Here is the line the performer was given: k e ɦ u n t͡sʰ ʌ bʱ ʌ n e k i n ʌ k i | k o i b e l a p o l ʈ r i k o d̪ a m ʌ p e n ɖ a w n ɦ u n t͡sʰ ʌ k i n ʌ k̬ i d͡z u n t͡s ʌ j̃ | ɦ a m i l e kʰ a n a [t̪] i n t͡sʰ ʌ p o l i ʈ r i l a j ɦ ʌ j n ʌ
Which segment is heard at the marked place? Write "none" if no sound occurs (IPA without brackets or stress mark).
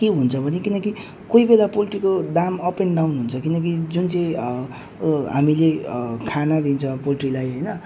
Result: d̪